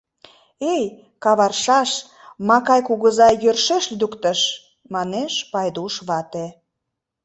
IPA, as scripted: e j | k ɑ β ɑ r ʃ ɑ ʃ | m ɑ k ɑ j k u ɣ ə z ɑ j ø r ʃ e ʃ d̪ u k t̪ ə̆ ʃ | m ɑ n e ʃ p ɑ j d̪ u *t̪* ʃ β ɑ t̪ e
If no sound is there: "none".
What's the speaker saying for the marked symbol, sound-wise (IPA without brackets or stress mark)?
none